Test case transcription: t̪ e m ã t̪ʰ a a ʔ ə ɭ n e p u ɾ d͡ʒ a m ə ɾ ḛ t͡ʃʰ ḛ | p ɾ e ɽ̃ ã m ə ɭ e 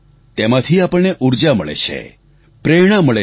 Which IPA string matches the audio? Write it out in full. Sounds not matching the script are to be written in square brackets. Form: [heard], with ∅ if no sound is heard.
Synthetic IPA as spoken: t̪ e m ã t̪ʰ [i] a [p] ə ɭ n e [ʔ] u ɾ d͡ʒ a m ə [ɭ] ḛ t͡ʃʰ ḛ | p ɾ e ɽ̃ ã m ə ɭ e